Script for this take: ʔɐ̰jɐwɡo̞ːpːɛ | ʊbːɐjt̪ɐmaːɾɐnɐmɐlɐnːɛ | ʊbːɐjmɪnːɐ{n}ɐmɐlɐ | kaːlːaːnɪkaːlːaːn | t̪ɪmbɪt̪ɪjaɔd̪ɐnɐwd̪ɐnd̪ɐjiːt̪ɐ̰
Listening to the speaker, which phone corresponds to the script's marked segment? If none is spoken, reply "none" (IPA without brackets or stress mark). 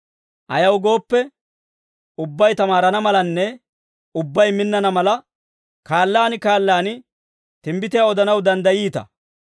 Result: n